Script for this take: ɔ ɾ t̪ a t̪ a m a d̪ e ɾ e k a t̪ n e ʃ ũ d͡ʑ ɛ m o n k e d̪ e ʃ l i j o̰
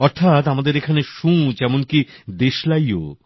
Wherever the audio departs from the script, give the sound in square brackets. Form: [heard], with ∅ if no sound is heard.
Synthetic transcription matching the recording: ɔ ɾ [t̪ʰ] a t̪ a m a d̪ e ɾ e [kʰ] a [∅] n e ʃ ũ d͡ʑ ɛ m o n k [i] d̪ e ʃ l [a] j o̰